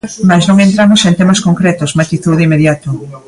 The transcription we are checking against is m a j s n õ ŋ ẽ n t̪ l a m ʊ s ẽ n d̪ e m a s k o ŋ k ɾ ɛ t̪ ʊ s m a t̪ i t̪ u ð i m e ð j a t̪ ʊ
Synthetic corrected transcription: m a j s n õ ŋ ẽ n t̪ ɾ a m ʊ s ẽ n t̪ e m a s k o ŋ k ɾ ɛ t̪ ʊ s m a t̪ i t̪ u ð i m e ð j a t̪ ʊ